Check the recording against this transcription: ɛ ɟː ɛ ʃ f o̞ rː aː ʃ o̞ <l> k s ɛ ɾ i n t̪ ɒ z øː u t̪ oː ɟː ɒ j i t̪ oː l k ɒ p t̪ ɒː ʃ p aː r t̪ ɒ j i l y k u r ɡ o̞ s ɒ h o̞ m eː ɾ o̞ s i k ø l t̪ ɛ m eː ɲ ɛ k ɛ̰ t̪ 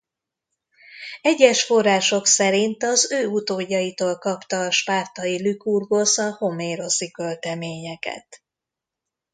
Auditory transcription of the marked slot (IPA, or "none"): none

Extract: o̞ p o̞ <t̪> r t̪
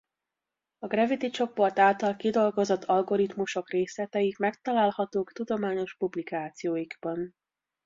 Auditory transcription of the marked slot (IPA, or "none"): none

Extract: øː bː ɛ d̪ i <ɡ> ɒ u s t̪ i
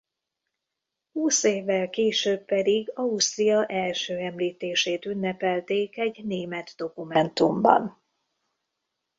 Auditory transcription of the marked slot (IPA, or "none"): ɡ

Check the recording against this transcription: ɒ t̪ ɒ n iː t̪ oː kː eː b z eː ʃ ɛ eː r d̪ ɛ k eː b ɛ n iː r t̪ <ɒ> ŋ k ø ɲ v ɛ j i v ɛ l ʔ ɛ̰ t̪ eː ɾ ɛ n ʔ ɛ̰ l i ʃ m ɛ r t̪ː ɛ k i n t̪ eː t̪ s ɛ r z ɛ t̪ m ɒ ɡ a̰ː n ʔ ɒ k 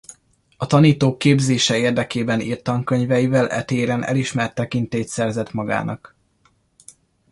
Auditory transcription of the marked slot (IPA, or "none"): ɒ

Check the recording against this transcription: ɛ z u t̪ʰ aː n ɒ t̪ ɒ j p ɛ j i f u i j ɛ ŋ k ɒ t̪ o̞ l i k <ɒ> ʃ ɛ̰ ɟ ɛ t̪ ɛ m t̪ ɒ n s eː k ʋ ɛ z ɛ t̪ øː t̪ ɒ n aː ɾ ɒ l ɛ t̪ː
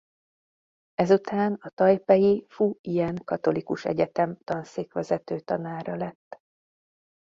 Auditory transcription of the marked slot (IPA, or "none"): u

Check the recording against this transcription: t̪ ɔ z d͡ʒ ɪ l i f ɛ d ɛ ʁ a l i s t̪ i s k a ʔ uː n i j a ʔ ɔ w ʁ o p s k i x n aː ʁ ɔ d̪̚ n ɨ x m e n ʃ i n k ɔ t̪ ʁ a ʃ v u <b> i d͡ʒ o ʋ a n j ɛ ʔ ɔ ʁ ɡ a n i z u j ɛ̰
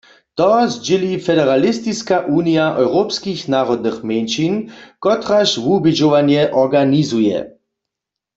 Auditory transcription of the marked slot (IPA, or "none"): b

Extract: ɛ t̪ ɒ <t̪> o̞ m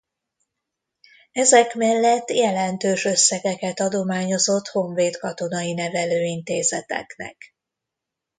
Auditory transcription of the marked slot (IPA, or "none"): d̪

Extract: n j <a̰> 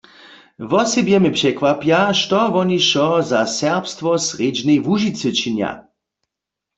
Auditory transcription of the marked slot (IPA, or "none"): a̰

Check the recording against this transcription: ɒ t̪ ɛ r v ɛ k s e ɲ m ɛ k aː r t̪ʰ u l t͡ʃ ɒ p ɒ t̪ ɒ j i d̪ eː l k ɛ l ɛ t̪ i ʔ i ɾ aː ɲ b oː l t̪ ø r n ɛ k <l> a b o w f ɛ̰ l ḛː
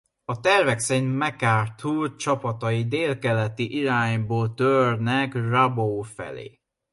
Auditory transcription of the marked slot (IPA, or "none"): r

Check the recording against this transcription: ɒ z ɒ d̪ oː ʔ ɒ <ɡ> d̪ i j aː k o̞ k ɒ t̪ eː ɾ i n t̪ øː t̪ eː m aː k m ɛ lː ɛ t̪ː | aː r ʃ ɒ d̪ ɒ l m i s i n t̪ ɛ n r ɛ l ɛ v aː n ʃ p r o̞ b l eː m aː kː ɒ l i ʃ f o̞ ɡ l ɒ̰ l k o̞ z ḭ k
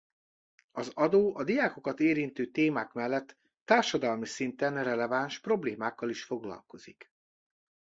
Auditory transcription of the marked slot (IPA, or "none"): none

